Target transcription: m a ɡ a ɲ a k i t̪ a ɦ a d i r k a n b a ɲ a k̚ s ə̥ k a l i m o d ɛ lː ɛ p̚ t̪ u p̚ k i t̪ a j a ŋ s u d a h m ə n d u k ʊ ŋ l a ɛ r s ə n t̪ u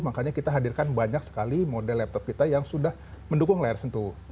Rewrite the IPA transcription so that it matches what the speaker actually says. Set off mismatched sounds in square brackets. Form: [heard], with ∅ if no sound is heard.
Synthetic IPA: m a [k] a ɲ a k i t̪ a ɦ a d i r k a n b a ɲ a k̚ s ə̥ k a l i m o d ɛ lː ɛ p̚ t̪ [ɔ] p̚ k i t̪ a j a ŋ s u d a h m ə n d u k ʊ ŋ l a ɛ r s ə n t̪ u